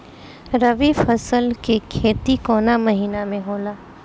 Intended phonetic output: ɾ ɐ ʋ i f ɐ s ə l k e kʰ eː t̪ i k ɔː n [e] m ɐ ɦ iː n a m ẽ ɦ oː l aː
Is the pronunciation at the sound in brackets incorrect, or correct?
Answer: incorrect